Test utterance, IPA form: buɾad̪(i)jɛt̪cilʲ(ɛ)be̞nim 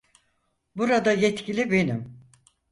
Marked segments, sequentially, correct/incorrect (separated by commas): incorrect, incorrect